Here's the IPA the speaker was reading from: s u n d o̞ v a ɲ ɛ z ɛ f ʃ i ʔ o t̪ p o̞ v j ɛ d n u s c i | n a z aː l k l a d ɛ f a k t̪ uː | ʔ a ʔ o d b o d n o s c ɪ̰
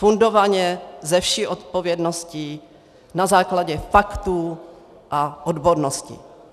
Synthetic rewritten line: f u n d o̞ v a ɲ ɛ z ɛ f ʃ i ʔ o t̪ p o̞ v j ɛ d n o s c i | n a z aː k l a ɟ ɛ f a k t̪ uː | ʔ a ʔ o d b o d n o s c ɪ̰